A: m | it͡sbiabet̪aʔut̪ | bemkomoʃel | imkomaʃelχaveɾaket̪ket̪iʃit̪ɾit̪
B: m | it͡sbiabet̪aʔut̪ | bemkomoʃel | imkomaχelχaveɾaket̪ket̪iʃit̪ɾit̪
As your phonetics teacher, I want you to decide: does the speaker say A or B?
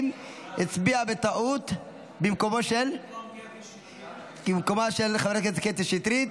A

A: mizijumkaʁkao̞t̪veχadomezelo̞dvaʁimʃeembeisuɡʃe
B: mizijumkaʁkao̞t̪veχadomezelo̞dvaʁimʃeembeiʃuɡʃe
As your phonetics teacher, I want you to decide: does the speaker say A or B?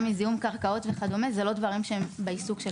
A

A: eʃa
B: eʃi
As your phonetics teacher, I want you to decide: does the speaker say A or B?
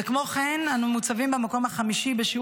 B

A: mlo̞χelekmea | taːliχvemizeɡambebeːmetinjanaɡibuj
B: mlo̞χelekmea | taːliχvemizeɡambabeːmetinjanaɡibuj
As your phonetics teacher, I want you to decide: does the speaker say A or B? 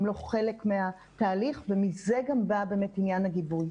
B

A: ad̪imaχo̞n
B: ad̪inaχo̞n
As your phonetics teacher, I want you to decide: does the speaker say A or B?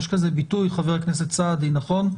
B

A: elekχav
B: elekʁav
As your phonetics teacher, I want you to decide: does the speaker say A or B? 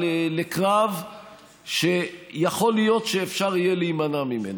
B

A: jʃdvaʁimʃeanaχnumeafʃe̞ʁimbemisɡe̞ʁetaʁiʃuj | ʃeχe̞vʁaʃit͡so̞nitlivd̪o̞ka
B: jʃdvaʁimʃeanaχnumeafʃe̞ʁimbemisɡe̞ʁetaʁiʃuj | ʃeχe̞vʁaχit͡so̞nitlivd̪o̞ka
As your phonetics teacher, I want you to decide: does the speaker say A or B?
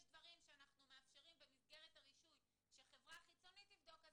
B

